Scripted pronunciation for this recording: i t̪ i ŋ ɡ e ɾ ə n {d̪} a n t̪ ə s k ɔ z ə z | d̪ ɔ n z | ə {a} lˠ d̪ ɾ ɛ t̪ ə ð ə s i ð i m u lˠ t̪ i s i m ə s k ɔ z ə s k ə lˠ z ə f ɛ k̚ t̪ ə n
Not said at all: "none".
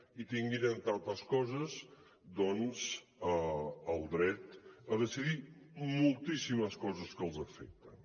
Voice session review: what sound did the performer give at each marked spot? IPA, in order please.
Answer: t̪, ə

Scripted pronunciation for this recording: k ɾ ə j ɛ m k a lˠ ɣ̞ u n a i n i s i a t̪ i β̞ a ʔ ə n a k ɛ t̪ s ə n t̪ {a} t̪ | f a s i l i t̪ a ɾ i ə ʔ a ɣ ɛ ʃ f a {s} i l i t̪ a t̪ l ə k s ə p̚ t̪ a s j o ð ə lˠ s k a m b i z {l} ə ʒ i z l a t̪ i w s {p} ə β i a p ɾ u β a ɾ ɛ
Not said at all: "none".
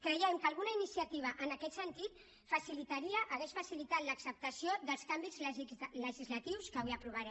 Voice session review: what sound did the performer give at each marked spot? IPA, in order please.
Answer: i, s, l, k

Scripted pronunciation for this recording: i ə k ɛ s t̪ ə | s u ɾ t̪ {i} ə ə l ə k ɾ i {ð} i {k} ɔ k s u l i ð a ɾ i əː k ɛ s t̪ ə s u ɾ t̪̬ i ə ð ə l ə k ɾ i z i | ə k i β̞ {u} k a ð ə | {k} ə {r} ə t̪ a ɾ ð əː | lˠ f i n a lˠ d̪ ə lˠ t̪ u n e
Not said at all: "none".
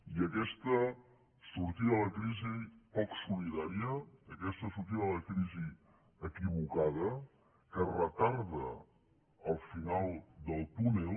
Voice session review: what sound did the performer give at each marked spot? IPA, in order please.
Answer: i, z, p, u, k, r

